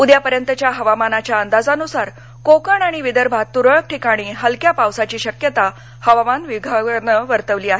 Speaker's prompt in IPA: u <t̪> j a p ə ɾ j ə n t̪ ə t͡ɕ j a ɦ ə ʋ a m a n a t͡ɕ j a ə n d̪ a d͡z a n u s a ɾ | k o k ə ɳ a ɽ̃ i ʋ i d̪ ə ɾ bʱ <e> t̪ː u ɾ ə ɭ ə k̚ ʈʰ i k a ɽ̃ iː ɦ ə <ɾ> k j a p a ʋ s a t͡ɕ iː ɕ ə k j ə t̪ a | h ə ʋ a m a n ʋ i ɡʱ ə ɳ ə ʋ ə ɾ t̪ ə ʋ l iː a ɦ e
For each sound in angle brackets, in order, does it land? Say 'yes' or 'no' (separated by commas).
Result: no, no, no